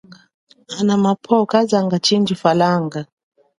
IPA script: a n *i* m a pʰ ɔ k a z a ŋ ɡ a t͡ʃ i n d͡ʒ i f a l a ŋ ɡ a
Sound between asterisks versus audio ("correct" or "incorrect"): incorrect